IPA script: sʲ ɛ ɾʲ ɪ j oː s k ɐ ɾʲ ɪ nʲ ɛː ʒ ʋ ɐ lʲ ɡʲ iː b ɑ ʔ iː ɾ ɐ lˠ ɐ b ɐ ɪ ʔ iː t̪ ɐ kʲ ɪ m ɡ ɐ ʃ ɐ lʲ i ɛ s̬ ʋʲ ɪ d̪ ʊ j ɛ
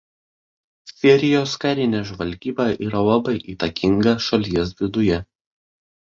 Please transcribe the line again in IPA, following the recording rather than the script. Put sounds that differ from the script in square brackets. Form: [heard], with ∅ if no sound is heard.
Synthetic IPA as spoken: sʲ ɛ ɾʲ ɪ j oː s k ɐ ɾʲ ɪ nʲ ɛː ʒ ʋ ɐ lʲ ɡʲ iː b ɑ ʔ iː ɾ ɐ lˠ ɐ b ɐ ɪ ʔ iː t̪ ɐ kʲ ɪ [ŋ] ɡ ɐ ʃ ɐ lʲ i ɛ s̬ ʋʲ ɪ d̪ ʊ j ɛ